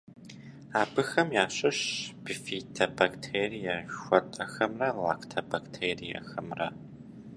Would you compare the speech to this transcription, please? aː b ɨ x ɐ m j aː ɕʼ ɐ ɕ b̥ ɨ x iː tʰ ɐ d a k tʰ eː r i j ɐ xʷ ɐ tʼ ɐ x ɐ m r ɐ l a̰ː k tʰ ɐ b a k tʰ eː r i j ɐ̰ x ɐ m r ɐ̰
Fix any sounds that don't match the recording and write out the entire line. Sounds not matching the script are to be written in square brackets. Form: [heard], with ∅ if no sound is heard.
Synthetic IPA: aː b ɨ x ɐ m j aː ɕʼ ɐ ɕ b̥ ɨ [f] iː tʰ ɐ [b] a k tʰ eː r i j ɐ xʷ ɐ tʼ ɐ x ɐ m r ɐ l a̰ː k tʰ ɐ b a k tʰ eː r i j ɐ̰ x ɐ m r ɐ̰

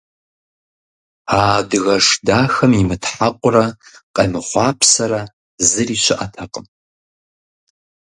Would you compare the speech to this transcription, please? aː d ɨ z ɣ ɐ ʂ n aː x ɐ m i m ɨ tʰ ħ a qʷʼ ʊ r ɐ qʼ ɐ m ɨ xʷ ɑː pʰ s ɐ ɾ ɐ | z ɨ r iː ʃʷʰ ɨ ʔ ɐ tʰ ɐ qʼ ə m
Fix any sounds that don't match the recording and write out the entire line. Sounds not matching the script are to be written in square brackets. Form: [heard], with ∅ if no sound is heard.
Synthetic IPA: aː d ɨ [∅] ɣ ɐ ʂ [d] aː x ɐ m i m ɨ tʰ ħ a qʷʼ ʊ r ɐ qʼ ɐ m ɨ [χʷ] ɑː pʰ s ɐ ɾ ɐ | z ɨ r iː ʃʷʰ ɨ ʔ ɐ tʰ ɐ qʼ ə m

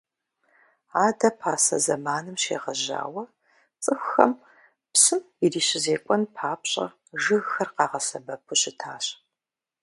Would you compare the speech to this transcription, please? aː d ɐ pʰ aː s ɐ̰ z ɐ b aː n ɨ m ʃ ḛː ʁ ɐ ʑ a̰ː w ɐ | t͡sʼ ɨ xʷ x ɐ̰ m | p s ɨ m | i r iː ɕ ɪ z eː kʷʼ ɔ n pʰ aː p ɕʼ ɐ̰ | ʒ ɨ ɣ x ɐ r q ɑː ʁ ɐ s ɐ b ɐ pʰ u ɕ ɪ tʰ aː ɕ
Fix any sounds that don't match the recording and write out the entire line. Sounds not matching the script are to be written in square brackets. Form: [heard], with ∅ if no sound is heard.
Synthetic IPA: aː d ɐ pʰ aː s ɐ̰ z ɐ [m] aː n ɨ m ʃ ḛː ʁ ɐ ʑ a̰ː w ɐ | t͡sʼ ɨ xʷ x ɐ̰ m | p s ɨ m | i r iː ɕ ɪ z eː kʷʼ ɔ n pʰ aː p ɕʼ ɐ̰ | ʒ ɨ ɣ x ɐ r q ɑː ʁ ɐ s ɐ b ɐ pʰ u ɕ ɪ tʰ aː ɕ

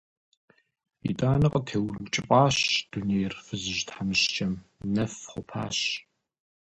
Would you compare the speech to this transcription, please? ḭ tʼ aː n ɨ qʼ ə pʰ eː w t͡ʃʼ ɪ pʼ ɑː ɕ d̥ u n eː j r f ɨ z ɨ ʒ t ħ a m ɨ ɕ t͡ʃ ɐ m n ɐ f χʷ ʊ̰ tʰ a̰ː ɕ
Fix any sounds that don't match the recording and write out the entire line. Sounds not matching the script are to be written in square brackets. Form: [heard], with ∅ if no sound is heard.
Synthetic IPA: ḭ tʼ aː n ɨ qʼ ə [tʰ] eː w t͡ʃʼ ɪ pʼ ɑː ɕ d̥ u n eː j r f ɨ z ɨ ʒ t ħ a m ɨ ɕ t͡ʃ ɐ m n ɐ f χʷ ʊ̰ [pʰ] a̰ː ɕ

